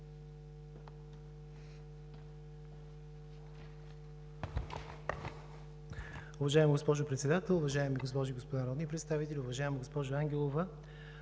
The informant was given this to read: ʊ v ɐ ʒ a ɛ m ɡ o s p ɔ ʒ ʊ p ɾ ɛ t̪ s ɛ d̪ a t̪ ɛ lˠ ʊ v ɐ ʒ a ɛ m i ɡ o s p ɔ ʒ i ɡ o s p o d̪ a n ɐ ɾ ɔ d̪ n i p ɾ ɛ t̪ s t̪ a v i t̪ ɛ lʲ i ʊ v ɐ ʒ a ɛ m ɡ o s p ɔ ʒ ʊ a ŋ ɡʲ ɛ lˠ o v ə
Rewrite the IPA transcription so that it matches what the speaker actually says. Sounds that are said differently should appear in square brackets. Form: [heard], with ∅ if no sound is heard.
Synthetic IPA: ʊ v ɐ ʒ a ɛ m ɡ o s p ɔ ʒ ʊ p ɾ ɛ t̪ s ɛ d̪ a t̪ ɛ lˠ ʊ v ɐ ʒ a ɛ m i ɡ o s p ɔ ʒ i ɡ o s p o d̪ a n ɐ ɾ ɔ d̪ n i p ɾ ɛ t̪ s t̪ a v i t̪ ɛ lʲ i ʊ v ɐ ʒ a ɛ m ɡ o s p ɔ ʒ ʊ a ŋ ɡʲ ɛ lˠ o v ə